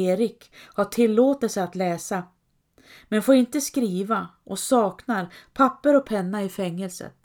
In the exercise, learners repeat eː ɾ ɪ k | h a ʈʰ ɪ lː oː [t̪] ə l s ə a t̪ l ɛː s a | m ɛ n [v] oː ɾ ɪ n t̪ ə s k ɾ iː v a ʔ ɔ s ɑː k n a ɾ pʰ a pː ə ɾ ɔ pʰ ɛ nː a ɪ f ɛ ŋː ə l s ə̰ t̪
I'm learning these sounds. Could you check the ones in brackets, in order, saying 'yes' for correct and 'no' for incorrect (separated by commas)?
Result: yes, no